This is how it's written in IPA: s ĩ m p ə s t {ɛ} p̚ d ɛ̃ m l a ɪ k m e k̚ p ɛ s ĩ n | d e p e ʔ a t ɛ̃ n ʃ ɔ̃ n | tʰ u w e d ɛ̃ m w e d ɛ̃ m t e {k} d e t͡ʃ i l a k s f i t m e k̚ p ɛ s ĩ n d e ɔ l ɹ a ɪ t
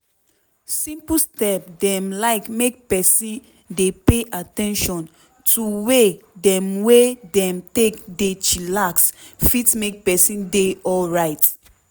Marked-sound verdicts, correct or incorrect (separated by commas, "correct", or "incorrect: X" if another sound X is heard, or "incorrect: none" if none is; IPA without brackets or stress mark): correct, correct